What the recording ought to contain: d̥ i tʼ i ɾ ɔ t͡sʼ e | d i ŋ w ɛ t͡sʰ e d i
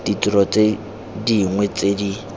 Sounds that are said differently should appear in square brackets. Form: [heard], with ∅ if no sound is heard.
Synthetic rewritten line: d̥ i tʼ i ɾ ɔ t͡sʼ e | d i ŋ w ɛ [t͡s] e d i